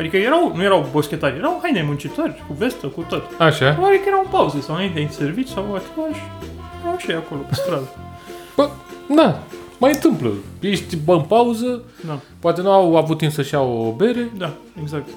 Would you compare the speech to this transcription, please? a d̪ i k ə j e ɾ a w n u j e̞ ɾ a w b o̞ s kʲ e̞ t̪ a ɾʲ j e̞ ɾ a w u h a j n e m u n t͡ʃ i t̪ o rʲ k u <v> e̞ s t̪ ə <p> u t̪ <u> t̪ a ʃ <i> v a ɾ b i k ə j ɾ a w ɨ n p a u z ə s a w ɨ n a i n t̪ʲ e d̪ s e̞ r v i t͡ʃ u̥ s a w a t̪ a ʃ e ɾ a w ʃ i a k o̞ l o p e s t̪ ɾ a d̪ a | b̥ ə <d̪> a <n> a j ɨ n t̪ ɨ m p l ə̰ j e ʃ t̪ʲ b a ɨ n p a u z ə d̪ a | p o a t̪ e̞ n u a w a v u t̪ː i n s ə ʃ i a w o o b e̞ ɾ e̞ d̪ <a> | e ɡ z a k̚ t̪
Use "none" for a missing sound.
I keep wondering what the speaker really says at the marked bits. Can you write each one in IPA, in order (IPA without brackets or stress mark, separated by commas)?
v, k, o, a, d̪, m, a